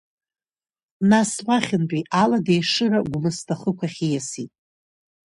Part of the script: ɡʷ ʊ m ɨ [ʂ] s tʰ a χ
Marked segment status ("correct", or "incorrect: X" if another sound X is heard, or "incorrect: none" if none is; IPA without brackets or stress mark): incorrect: none